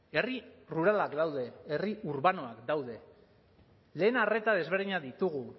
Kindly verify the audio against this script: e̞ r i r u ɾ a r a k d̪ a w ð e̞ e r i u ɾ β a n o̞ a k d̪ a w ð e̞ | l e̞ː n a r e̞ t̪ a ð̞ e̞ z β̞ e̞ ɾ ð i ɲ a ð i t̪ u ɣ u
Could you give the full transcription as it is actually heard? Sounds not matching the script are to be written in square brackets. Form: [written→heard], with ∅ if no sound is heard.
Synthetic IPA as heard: e̞ r i r u ɾ a [r→l] a k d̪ a w ð e̞ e r i u ɾ β a n o̞ a k d̪ a w ð e̞ | l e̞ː n a r e̞ t̪ a ð̞ e̞ z β̞ e̞ ɾ ð i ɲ a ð i t̪ u ɣ u

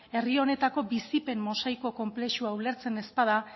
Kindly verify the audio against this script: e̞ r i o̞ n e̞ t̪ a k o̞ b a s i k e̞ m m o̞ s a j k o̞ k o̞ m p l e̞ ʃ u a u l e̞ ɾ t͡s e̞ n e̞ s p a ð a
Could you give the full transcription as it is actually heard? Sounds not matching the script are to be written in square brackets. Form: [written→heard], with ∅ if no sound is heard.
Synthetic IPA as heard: e̞ r i o̞ n e̞ t̪ a k o̞ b [a→i] s i [k→p] e̞ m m o̞ s a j k o̞ k o̞ m p l e̞ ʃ u a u l e̞ ɾ t͡s e̞ n e̞ s p a ð a

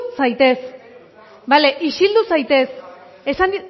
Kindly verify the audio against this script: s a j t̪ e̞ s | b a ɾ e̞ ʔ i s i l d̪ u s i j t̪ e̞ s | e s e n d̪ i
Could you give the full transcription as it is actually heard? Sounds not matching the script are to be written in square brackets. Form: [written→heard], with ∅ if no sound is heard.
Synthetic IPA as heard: s a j t̪ e̞ s | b a [ɾ→l] e̞ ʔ i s i l d̪ u s [i→a] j t̪ e̞ s | e s [e→a] n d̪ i

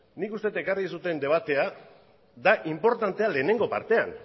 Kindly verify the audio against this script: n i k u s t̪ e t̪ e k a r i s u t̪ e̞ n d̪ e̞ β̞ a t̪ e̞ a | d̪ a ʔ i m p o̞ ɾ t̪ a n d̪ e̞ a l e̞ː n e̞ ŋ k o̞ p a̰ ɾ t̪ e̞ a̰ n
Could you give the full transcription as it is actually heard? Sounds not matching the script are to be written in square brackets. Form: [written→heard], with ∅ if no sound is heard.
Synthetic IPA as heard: n i k u s t̪ e t̪ e k a r i s u t̪ e̞ n d̪ e̞ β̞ a t̪ e̞ a | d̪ a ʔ i m p o̞ ɾ t̪ a n [d̪→t̪] e̞ a l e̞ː n e̞ ŋ [k→ɡ] o̞ p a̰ ɾ t̪ e̞ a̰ n

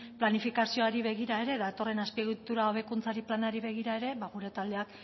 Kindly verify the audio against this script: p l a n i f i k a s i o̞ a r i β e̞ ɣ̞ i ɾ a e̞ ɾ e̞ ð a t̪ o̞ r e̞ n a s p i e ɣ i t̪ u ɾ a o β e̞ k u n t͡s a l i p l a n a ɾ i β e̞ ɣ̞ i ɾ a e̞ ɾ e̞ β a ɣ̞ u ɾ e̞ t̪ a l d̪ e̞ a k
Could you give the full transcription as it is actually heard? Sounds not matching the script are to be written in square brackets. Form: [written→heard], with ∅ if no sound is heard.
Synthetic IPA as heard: p l a n i f i k a s i o̞ a [r→ɾ] i β e̞ ɣ̞ i ɾ a e̞ ɾ e̞ ð a t̪ o̞ r e̞ n a s p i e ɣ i t̪ u ɾ a o β e̞ k u n t͡s a [l→ɾ] i p l a n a ɾ i β e̞ ɣ̞ i ɾ a e̞ ɾ e̞ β a ɣ̞ u ɾ e̞ t̪ a l d̪ e̞ a k

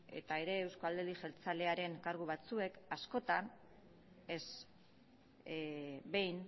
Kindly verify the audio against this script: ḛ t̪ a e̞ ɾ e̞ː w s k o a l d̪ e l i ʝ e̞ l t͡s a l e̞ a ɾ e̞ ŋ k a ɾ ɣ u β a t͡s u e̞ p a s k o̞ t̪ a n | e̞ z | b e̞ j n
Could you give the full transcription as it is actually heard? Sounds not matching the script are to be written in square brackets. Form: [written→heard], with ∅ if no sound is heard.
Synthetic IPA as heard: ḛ t̪ a e̞ ɾ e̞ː w s k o a l d̪ e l i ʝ e̞ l t͡s a l e̞ a ɾ e̞ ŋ k a ɾ ɣ u β a t͡s u e̞ [p→k] a s k o̞ t̪ a n | e̞ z | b e̞ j n

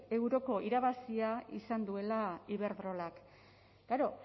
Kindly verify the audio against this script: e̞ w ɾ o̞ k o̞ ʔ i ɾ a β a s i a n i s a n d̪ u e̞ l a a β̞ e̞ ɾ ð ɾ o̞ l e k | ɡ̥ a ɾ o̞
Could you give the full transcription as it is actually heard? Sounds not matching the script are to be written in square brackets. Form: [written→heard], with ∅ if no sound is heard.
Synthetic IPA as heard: e̞ w ɾ o̞ k o̞ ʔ i ɾ a β a s i a [n→∅] i s a n d̪ u e̞ l a [a→i] β̞ e̞ ɾ ð ɾ o̞ l [e→a] k | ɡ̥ a ɾ o̞

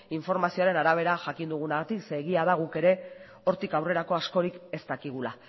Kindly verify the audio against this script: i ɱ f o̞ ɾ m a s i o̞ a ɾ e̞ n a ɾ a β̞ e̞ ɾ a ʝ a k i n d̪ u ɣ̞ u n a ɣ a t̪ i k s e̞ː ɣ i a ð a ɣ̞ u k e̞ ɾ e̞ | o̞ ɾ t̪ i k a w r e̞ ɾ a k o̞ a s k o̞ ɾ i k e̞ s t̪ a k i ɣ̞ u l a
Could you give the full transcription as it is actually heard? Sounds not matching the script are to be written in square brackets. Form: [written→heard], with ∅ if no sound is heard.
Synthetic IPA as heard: i ɱ f o̞ ɾ m a s i o̞ a ɾ e̞ n a ɾ a β̞ e̞ ɾ a ʝ a k i n d̪ u ɣ̞ u n a ɣ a t̪ i k s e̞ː ɣ i a ð a ɣ̞ u k e̞ ɾ e̞ | o̞ ɾ t̪ i k a w r e̞ ɾ a k o̞ a s k o̞ ɾ i k e̞ s t̪ a k i ɣ̞ u l a

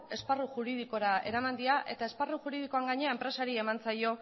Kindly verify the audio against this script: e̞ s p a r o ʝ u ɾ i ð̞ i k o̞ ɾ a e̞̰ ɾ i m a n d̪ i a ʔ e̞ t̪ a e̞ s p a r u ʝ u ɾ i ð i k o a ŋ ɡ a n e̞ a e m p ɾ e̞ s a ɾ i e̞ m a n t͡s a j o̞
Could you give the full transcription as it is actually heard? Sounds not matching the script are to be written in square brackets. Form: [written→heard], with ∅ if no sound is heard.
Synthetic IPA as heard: e̞ s p a r [o→u] ʝ u ɾ i ð̞ i k o̞ ɾ a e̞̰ ɾ [i→a] m a n d̪ i a ʔ e̞ t̪ a e̞ s p a r u ʝ u ɾ i ð i k o a ŋ ɡ a [n→ɲ] e̞ a e m p ɾ e̞ s a ɾ i e̞ m a n t͡s a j o̞

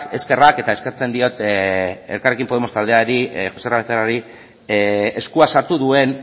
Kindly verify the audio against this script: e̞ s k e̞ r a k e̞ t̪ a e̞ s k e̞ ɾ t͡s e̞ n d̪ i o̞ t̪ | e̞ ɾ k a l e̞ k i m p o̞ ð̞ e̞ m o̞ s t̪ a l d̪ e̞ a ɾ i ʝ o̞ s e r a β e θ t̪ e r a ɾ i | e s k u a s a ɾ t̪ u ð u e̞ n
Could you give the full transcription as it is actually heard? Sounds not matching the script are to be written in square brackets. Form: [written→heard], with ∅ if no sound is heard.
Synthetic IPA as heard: e̞ s k e̞ r a k e̞ t̪ a e̞ s k e̞ ɾ t͡s e̞ n d̪ i o̞ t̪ | e̞ ɾ k a [l→r] e̞ k i m p o̞ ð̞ e̞ m o̞ s t̪ a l d̪ e̞ a ɾ i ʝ o̞ s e r a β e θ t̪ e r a ɾ i | e s k u a s a ɾ t̪ u ð u e̞ n

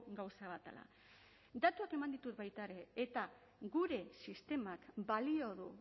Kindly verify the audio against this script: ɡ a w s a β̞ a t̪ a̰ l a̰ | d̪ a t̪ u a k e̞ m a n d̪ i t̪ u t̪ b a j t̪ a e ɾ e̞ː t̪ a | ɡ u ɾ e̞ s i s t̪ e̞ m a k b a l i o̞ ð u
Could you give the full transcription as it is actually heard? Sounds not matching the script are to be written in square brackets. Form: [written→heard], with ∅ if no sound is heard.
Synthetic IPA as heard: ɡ a w s a β̞ a t̪ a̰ l a̰ | d̪ a t̪ u a k e̞ m a n d̪ i t̪ u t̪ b a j t̪ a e ɾ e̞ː t̪ a | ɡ u ɾ e̞ s i s t̪ e̞ m a k b a l i o̞ ð u

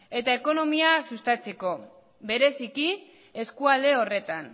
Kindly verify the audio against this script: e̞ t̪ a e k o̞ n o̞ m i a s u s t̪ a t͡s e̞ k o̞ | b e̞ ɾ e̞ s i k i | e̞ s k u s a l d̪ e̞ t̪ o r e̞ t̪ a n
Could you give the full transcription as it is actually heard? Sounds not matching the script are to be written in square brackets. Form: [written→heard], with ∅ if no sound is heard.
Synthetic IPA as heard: e̞ t̪ a e k o̞ n o̞ m i a s u s t̪ a t͡s e̞ k o̞ | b e̞ ɾ e̞ s i k i | e̞ s k u [s→∅] a l d̪ e̞ [t̪→∅] o r e̞ t̪ a n

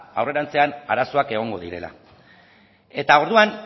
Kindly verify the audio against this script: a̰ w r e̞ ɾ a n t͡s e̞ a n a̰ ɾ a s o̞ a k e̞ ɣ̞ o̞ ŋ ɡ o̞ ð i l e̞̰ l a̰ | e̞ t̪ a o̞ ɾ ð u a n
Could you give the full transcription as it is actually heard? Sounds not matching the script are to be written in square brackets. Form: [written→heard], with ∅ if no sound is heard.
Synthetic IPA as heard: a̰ w r e̞ ɾ a n t͡s e̞ a n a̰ ɾ a s o̞ a k e̞ ɣ̞ o̞ ŋ ɡ o̞ ð i [l→ɾ] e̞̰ l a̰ | e̞ t̪ a o̞ ɾ ð u a n

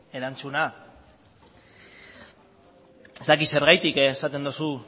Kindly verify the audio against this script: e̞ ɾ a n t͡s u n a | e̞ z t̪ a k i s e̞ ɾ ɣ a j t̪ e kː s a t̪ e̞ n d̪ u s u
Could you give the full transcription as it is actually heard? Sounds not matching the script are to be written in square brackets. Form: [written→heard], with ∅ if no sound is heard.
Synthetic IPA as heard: e̞ ɾ a n t͡s u n a | e̞ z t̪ a k i s e̞ ɾ ɣ a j t̪ [e→i] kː s a t̪ e̞ n d̪ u s u

